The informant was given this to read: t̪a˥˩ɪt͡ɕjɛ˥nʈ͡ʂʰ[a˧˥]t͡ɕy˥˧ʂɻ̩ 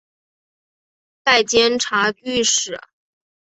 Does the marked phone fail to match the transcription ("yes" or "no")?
no